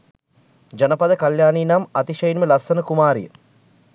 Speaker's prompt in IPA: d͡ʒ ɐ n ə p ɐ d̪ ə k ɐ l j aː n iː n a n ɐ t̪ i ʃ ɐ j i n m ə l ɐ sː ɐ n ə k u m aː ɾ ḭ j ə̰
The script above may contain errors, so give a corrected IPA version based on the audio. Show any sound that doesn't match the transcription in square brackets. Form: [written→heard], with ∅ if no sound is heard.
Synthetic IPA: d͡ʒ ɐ n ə p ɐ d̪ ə k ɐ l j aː n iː n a [n→m] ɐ t̪ i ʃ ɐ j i n m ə l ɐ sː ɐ n ə k u m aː ɾ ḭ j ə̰